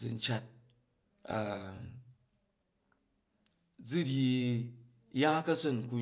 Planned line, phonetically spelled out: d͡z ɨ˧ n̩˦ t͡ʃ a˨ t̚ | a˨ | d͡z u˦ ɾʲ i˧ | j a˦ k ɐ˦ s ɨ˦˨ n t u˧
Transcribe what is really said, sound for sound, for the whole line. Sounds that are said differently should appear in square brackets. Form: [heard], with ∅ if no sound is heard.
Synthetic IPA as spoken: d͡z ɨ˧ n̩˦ t͡ʃ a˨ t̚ | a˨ | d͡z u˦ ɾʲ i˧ | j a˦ k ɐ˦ s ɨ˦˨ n [k] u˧